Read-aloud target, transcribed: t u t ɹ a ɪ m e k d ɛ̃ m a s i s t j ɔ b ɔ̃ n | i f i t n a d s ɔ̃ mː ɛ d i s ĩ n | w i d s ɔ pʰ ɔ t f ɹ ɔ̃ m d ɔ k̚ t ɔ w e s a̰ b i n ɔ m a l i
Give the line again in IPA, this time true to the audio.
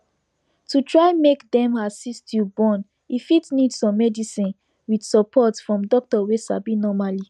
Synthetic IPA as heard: t u t ɹ a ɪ m e k d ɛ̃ m a s i s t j u b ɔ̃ n | i f i t n i d s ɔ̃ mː ɛ d i s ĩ n | w i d s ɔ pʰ ɔ t f ɹ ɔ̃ m d ɔ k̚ t ɔ w e s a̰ b i n ɔ m a l i

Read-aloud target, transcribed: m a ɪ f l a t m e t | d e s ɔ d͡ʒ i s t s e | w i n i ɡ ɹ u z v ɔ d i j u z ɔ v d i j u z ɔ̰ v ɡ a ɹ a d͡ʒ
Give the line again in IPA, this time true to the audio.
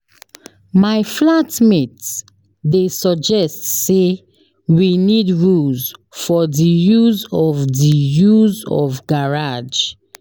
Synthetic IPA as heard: m a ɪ f l a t m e t | d e s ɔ d͡ʒ ɛ s t s e | w i n i d ɹ u z f ɔ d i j u z ɔ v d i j u z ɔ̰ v ɡ a ɹ a d͡ʒ

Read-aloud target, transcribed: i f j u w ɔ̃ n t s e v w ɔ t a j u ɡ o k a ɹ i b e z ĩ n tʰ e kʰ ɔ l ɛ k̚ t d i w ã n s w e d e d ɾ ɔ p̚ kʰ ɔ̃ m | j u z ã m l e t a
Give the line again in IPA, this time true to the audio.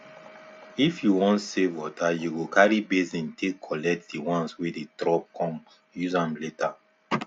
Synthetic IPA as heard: i f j u w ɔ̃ n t s e v w ɔ t a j u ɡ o k a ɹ i b e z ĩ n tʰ e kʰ ɔ l ɛ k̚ t d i w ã n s w e d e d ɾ ɔ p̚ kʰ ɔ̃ m | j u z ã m l e t a

